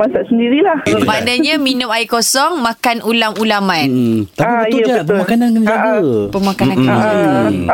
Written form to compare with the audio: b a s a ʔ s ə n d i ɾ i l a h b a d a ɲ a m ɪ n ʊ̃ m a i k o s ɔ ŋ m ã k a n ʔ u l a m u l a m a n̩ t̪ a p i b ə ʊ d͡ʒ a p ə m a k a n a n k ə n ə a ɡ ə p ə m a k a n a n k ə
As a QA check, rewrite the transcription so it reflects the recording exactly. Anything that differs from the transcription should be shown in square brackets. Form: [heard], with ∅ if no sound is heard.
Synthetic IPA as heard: [m] a s a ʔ s ə n d i ɾ i l a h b a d a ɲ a m [i] n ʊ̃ m a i k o s ɔ ŋ m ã k a n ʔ u l a m u l a m a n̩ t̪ a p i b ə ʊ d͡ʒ a p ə m a k a n a n k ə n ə a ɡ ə p ə m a k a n a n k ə